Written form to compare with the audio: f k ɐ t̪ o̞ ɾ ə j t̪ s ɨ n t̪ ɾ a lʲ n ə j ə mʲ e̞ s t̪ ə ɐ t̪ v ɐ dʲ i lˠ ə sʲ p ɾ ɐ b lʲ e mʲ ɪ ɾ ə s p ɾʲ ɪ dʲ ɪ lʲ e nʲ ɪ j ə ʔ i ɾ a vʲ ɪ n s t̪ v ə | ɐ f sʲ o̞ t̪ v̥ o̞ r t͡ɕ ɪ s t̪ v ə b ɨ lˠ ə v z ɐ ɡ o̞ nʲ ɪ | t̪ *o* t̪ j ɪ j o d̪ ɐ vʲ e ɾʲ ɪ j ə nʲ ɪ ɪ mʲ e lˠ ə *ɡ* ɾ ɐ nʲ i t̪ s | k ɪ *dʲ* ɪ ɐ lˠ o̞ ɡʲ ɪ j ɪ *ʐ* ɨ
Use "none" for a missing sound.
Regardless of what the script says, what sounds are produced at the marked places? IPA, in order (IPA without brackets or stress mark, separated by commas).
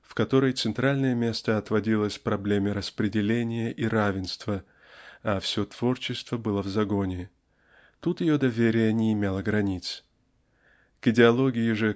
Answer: u, ɡ, dʲ, ʐ